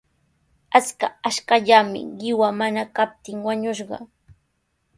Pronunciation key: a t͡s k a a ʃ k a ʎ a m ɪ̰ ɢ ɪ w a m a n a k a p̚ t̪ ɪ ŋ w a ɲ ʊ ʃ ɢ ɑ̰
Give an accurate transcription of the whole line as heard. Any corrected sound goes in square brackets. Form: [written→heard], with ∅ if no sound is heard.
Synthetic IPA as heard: a t͡s k a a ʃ k a ʎ a m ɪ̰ ɢ ɪ w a m a n a k a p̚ t̪ ɪ ŋ w a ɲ ʊ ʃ ɢ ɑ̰